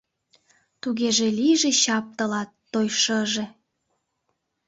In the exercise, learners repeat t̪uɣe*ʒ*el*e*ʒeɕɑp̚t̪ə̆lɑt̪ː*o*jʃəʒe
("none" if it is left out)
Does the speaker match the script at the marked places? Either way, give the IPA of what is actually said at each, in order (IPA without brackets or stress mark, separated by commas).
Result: ʒ, i, o